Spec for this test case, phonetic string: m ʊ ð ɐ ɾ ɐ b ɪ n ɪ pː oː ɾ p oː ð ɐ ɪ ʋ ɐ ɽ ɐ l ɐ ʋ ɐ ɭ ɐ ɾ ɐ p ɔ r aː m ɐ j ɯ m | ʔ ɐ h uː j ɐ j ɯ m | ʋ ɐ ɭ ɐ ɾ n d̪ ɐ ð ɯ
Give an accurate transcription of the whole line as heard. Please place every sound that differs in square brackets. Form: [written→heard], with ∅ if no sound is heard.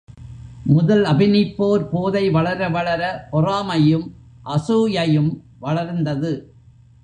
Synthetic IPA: m ʊ ð ɐ [ɾ→l] ɐ b ɪ n ɪ pː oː ɾ p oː ð ɐ ɪ ʋ ɐ [ɽ→ɭ] ɐ [l→ɾ] ɐ ʋ ɐ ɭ ɐ ɾ ɐ p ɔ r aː m ɐ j ɯ m | ʔ ɐ [h→s] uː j ɐ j ɯ m | ʋ ɐ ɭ ɐ ɾ n d̪ ɐ ð ɯ